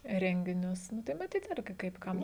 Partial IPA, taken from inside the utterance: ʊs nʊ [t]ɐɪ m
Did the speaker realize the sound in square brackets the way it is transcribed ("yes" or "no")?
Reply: yes